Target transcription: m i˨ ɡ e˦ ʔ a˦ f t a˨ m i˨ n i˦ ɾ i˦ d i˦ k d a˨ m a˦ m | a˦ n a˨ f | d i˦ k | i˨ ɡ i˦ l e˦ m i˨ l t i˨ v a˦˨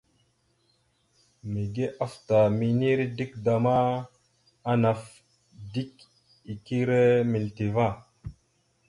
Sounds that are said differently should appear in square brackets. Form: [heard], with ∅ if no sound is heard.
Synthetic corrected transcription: m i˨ ɡ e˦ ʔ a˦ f t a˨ m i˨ n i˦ ɾ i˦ d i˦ k d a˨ m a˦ [∅] | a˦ n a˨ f | d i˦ k | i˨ [k] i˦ [ɾ] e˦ m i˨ l t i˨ v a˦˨